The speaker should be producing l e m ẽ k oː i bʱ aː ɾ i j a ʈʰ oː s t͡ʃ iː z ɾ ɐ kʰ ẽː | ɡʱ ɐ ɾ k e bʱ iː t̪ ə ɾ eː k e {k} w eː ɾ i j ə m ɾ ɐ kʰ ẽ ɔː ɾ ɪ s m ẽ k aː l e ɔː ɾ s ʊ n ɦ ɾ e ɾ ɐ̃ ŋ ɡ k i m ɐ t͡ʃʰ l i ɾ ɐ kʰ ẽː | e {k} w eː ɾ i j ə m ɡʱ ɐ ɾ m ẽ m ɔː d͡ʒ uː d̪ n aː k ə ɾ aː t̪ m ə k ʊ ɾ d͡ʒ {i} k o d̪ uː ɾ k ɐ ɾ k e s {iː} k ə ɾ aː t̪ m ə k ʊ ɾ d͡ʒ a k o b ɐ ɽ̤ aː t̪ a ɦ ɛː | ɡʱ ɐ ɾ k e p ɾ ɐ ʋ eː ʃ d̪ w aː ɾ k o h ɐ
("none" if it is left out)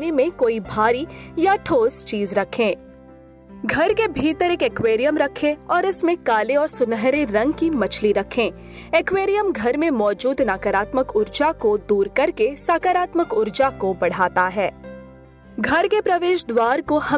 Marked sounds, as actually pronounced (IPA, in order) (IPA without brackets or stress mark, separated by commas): k, k, a, aː